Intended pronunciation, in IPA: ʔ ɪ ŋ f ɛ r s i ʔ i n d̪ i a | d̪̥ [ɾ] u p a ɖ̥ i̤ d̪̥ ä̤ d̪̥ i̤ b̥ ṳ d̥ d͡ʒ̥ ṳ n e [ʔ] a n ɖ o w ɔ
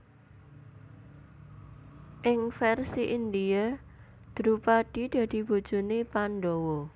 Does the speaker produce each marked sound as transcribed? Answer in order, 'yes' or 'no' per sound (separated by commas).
yes, no